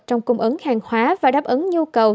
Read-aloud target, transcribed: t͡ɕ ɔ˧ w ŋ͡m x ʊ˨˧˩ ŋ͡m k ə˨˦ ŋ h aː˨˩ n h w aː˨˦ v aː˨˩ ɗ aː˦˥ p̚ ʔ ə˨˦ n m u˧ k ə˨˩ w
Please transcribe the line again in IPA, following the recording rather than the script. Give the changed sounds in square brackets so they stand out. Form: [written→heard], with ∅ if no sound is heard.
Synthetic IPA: t͡ɕ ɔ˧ w ŋ͡m [x→k] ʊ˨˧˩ ŋ͡m [k→ʔ] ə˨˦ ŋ h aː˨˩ [n→ŋ] h w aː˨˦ v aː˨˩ ɗ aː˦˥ p̚ ʔ ə˨˦ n [m→ɲ] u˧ k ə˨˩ w

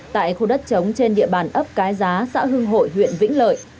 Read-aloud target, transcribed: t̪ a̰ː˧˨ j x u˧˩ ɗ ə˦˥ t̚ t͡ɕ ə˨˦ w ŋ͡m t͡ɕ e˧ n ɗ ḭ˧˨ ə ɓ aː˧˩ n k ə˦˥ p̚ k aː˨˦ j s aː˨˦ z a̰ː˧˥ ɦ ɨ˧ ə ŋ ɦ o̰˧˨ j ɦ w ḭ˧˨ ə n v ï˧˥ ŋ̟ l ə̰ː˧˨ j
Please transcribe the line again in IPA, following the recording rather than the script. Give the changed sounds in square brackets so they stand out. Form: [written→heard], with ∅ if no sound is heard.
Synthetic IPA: t̪ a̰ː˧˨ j x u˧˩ ɗ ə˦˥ t̚ t͡ɕ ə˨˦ w ŋ͡m t͡ɕ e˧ n ɗ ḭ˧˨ ə ɓ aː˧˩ n [k→ʔ] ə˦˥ p̚ k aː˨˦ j [s→z] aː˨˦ [z→s] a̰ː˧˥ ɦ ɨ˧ ə ŋ ɦ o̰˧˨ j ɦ w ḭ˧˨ ə n v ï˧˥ ŋ̟ l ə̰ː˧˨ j

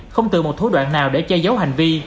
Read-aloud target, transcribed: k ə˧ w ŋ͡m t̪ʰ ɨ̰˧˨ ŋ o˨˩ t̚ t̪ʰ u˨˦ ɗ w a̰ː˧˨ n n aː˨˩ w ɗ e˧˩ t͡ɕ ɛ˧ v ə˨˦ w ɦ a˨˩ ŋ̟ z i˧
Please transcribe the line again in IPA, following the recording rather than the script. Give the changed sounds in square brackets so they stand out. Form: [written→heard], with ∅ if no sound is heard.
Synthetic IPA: [k→x] ə˧ w ŋ͡m [t̪ʰ→t̪] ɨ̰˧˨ [ŋ→m] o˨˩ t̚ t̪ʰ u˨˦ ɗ w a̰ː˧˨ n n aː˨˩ w ɗ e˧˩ t͡ɕ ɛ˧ [v→z] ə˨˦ w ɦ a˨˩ ŋ̟ [z→v] i˧

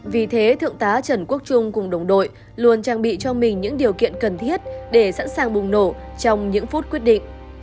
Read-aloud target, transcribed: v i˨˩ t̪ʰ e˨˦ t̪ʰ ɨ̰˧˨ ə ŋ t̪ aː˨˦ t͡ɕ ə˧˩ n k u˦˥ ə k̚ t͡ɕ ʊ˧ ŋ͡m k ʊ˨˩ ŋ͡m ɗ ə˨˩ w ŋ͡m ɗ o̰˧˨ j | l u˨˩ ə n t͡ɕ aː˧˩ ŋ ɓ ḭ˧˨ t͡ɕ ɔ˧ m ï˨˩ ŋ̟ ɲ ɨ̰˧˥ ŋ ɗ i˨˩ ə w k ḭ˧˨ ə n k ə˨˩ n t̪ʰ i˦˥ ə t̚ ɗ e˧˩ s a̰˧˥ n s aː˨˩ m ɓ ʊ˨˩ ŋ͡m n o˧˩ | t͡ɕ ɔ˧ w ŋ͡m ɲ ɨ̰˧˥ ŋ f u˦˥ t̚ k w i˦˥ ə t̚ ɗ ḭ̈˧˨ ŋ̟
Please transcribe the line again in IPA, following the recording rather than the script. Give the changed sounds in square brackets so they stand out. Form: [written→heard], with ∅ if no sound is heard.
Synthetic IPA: v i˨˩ t̪ʰ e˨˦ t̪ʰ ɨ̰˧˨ ə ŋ t̪ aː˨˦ t͡ɕ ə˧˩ n k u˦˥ ə k̚ t͡ɕ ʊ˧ ŋ͡m k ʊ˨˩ ŋ͡m ɗ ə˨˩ w ŋ͡m ɗ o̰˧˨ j | l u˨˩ ə n t͡ɕ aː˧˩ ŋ ɓ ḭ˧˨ t͡ɕ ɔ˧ m ï˨˩ ŋ̟ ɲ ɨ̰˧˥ ŋ ɗ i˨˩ ə w k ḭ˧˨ ə n k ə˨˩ n t̪ʰ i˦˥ ə t̚ ɗ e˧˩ s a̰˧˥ n s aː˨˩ [m→ŋ] ɓ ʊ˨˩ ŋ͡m n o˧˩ | t͡ɕ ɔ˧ w ŋ͡m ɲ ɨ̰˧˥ ŋ f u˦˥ t̚ k w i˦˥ ə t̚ ɗ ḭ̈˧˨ ŋ̟

